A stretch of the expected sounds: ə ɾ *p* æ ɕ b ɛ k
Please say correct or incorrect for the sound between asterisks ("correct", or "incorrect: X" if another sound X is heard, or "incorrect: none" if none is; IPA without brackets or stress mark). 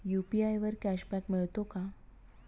incorrect: k